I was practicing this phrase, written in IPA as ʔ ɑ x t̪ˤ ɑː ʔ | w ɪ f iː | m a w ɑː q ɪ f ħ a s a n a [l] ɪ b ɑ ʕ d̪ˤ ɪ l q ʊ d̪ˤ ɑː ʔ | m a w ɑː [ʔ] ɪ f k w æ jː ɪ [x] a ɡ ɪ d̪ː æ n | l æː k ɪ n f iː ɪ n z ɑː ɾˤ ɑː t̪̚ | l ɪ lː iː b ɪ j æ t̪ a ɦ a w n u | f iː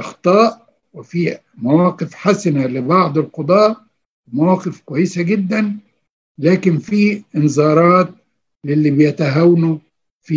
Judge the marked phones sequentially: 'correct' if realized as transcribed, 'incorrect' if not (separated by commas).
correct, incorrect, incorrect